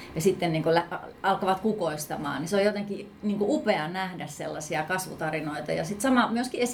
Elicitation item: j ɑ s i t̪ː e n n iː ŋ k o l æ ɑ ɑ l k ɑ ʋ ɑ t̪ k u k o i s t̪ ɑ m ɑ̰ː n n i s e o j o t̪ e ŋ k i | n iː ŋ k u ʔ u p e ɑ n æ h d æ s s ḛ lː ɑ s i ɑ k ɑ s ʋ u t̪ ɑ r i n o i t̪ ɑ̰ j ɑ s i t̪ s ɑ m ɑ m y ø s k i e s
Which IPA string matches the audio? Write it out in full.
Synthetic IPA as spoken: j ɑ s i t̪ː e n n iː ŋ k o l æ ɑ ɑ l k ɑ ʋ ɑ t̪ k u k o i s t̪ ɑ m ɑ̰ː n n i s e o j o t̪ e ŋ k i | n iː ŋ k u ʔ u p e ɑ n æ h d æ s s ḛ lː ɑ s i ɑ k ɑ s ʋ u t̪ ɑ r i n o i t̪ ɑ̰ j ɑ s i t̪ s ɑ m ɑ m y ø s k i e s